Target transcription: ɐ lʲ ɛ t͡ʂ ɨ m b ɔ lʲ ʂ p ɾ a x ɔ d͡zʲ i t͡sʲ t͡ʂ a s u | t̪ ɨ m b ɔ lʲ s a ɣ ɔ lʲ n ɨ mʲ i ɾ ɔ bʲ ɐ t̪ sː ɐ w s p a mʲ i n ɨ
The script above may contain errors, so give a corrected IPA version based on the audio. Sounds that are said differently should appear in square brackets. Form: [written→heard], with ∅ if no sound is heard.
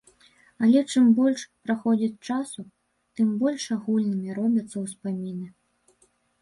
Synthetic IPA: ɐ lʲ ɛ t͡ʂ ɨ m b ɔ lʲ ʂ p ɾ a x ɔ d͡zʲ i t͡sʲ t͡ʂ a s u | t̪ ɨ m b ɔ lʲ [s→ʂ] a ɣ [ɔ→u] lʲ n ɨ mʲ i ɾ ɔ bʲ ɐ t̪ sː ɐ w s p a mʲ i n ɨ